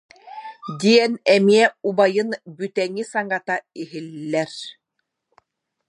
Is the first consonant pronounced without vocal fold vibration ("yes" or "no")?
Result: no